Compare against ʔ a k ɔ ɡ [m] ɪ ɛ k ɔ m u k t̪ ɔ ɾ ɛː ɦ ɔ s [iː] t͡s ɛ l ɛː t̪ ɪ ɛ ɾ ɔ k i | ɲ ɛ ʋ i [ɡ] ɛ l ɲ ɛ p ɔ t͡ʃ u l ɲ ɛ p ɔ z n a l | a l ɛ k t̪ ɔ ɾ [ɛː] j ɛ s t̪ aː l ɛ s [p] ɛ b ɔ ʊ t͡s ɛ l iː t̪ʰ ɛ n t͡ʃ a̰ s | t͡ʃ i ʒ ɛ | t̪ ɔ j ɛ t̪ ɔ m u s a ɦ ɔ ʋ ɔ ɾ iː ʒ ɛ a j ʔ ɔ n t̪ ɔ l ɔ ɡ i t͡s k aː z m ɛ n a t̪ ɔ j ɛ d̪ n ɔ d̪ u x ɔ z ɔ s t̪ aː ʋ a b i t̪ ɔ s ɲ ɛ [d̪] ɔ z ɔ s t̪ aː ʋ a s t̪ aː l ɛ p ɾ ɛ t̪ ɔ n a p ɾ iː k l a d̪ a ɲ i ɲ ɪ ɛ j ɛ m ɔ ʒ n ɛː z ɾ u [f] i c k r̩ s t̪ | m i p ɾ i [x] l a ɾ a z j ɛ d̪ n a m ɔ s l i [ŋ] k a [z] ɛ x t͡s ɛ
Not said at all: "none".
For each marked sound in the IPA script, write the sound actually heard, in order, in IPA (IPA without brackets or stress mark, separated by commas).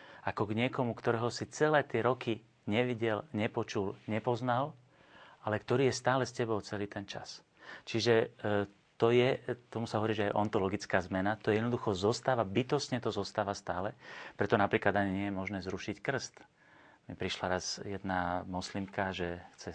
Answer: ɲ, i, ɟ, iː, c, t̪, ʃ, ʃ, m, ʒ